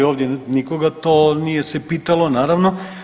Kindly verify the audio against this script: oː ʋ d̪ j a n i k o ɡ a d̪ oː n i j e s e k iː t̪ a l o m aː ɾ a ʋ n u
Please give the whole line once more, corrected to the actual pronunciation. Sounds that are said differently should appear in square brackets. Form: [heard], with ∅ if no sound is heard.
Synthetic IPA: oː ʋ d̪ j [e] n i k o ɡ a [t̪] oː n i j e s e [p] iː t̪ a l o [n] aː ɾ a ʋ n [o]